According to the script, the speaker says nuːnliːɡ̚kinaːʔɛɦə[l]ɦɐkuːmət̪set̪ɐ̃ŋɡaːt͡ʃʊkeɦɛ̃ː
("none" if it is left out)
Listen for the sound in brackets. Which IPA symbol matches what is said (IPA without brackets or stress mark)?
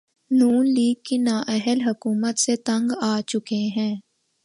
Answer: l